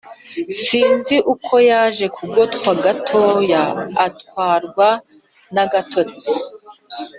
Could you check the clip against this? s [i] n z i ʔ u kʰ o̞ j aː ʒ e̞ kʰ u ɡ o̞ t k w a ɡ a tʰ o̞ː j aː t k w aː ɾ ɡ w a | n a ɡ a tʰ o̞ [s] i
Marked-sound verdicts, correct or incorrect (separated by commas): incorrect, incorrect